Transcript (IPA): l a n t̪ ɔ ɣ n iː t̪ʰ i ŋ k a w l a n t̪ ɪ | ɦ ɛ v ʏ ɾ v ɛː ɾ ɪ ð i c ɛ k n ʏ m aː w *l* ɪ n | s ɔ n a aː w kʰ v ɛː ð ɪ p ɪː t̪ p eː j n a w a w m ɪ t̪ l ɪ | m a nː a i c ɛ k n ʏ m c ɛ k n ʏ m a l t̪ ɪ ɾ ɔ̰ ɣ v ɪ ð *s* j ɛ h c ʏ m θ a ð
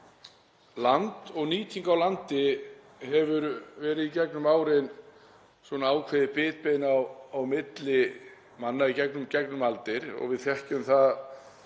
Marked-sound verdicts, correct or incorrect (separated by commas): incorrect, incorrect